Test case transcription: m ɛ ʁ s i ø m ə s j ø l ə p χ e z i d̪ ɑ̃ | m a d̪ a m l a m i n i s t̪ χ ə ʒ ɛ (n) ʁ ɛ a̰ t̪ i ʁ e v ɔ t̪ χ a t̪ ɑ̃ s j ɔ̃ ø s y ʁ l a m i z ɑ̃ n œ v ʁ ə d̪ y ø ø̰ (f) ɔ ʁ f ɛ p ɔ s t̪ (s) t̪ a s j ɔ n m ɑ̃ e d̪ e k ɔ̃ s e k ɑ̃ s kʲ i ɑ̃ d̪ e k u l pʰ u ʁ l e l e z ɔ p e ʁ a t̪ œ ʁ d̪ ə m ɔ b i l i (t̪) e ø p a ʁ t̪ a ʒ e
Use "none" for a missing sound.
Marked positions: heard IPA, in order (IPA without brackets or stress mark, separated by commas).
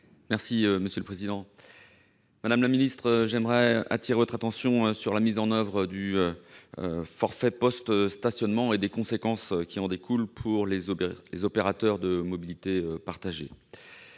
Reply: m, f, s, t̪